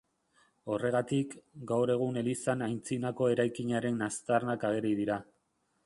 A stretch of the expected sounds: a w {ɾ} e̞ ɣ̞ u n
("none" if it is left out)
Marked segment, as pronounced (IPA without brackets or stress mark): ɾ